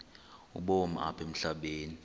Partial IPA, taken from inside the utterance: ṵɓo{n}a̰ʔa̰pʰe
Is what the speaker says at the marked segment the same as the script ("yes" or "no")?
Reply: no